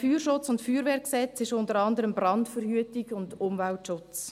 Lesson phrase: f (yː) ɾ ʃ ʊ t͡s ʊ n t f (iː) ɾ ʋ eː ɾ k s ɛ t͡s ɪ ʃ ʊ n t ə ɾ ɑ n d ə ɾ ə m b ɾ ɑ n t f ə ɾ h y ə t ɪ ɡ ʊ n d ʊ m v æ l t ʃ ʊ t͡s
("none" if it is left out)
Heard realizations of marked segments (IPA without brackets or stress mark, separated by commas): yː, yː